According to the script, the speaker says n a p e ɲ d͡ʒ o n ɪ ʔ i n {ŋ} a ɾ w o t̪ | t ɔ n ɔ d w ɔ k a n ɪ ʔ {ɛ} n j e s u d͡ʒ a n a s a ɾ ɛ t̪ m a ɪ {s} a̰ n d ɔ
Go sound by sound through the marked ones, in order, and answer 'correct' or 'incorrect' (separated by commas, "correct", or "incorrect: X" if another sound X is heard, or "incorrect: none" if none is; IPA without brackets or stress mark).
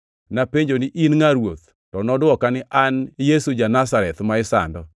correct, incorrect: a, correct